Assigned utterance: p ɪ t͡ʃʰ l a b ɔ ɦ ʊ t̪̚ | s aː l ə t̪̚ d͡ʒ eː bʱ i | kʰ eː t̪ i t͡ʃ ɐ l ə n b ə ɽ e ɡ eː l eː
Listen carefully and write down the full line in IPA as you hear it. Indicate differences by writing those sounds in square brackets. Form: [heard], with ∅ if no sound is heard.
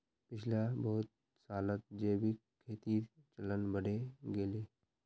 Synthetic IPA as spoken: p ɪ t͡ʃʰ l a b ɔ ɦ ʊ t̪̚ | s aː l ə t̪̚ d͡ʒ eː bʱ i | kʰ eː t̪ i t͡ʃ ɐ l ə n b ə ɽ e ɡ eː l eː